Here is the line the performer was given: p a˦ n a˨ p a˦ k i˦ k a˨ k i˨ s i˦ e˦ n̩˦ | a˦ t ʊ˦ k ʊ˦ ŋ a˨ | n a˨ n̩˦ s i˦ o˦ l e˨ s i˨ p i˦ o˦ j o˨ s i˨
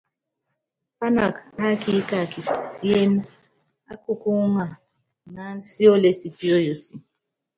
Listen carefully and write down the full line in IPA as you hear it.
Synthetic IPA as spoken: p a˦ n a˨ k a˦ k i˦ k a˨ k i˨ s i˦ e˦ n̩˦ | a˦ k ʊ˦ k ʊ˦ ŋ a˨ | n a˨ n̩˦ s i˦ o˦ l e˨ s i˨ p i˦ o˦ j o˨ s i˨